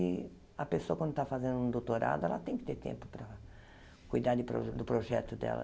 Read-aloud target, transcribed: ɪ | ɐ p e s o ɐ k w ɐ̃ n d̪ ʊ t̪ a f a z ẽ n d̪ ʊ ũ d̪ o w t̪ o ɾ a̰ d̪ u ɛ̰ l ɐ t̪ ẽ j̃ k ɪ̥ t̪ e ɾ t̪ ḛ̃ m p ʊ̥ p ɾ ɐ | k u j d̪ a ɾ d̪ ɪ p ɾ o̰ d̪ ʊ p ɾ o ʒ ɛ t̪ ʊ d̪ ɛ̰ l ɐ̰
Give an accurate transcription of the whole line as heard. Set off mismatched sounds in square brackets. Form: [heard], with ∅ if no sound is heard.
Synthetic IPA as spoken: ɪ | ɐ p e s o ɐ k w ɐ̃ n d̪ ʊ t̪ a f a z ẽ n d̪ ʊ ũ d̪ o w t̪ o ɾ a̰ d̪ [ʊ] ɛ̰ l ɐ t̪ ẽ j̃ k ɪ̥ t̪ e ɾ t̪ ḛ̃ m p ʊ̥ p ɾ ɐ | k u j d̪ a ɾ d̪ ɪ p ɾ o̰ d̪ ʊ p ɾ o ʒ ɛ t̪ ʊ d̪ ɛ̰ l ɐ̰